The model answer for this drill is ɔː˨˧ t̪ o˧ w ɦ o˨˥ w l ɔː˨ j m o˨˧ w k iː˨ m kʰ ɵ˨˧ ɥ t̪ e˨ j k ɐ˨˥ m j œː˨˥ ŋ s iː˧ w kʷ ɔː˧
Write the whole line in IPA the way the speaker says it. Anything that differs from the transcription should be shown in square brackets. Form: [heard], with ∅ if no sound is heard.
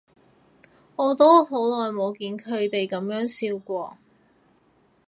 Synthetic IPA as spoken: ɔː˨˧ t̪ [o˥] w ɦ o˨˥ w l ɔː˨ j m o˨˧ w k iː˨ [n] kʰ ɵ˨˧ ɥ t̪ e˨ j k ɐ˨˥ m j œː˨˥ ŋ s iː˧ w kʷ ɔː˧